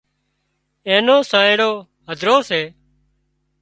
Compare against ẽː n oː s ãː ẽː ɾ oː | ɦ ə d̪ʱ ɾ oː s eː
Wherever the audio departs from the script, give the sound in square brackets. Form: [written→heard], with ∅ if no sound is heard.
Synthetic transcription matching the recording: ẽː n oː s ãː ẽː [ɾ→ɽ] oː | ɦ ə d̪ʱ ɾ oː s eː